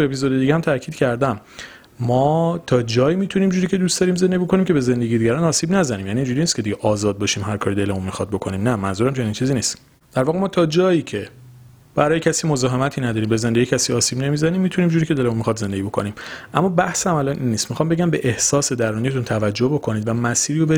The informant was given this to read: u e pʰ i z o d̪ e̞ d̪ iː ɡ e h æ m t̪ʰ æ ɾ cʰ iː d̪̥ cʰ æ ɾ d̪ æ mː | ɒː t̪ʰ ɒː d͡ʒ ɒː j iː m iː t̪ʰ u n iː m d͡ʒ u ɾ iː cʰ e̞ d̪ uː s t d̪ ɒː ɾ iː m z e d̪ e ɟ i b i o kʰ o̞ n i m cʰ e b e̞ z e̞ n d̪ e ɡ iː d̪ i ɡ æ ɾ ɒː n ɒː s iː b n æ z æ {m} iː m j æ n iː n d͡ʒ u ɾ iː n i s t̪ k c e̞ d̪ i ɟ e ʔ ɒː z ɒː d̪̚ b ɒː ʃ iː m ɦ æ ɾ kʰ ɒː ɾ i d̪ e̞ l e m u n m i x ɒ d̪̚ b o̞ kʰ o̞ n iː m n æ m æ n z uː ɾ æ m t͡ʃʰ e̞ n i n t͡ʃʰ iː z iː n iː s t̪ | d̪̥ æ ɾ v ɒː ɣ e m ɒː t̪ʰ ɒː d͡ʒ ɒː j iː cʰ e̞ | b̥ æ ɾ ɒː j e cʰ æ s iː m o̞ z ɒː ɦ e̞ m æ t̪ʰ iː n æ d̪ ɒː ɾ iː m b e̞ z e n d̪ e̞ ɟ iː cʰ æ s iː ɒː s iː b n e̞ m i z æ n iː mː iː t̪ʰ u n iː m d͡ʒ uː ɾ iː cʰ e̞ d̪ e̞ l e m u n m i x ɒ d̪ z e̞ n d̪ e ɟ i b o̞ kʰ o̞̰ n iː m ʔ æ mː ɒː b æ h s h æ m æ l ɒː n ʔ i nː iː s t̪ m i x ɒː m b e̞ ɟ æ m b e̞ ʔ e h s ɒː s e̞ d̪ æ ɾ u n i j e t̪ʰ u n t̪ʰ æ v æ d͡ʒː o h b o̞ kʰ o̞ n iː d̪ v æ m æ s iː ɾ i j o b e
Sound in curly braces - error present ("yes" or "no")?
yes